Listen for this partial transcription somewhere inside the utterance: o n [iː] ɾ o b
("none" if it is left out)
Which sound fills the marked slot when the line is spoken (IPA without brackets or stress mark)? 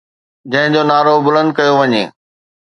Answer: aː